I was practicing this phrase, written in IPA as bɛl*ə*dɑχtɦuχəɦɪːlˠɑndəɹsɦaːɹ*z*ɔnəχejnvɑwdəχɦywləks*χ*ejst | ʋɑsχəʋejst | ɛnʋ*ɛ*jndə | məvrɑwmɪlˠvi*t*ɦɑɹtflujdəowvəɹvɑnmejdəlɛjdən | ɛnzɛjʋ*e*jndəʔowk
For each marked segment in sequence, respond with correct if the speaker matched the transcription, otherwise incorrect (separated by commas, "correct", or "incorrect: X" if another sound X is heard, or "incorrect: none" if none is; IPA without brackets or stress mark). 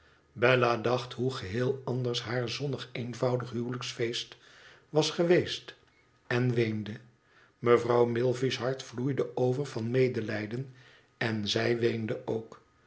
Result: incorrect: a, correct, incorrect: f, incorrect: e, incorrect: s, correct